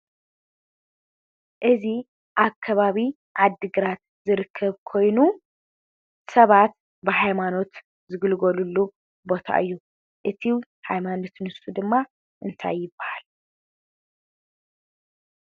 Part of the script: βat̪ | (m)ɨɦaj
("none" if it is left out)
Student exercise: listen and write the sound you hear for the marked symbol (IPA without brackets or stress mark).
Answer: b